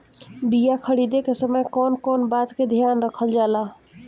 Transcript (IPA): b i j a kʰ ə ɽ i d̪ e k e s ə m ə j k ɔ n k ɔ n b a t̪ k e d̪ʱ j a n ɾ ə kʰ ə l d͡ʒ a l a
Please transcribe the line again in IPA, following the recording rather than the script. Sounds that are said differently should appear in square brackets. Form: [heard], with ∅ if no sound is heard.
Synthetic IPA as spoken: b i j a kʰ ə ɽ i d̪ e k e s ə m ə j k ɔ n k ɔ n b a t̪ k e d̪ʱ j a n ɾ ə kʰ ə l d͡ʒ a l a